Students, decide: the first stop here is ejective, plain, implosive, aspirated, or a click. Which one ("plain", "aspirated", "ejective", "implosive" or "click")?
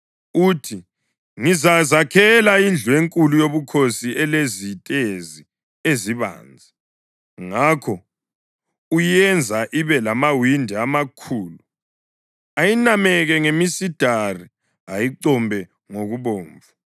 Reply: aspirated